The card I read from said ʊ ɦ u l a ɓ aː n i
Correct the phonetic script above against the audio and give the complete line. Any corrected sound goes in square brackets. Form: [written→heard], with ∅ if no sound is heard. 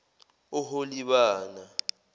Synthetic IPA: ʊ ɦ [u→o] l [a→i] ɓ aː n [i→a]